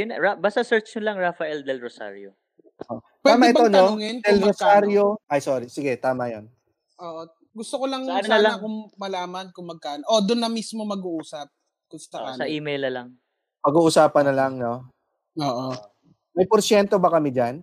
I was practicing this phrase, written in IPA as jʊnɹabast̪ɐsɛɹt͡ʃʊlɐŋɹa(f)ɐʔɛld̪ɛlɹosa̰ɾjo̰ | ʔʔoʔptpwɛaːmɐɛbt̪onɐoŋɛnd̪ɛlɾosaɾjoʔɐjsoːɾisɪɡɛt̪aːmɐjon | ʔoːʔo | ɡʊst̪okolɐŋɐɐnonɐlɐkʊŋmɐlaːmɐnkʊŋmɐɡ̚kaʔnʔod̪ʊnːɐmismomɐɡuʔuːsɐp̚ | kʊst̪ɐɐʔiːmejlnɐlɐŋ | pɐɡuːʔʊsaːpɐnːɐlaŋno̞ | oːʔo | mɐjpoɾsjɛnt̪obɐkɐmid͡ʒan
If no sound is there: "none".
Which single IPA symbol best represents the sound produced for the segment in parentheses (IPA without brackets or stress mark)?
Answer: f